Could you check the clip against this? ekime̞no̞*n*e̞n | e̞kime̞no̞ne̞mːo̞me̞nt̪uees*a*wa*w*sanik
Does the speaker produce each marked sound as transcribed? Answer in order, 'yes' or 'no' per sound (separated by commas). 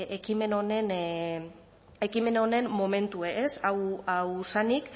yes, yes, yes